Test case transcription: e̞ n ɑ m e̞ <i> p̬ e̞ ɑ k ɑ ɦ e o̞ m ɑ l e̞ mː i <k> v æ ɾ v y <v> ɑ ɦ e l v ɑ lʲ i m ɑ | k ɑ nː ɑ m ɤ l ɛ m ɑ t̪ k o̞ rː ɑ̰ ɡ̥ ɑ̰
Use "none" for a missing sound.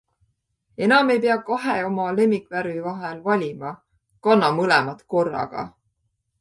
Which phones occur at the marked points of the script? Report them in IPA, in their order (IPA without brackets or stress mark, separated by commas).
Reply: j, k, v